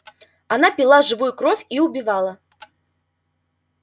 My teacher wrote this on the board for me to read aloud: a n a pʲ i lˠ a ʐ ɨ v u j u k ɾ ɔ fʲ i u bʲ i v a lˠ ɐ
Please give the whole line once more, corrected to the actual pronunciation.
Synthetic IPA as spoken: a n a pʲ i lˠ a ʐ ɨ v u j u k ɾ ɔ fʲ i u bʲ i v a lˠ ɐ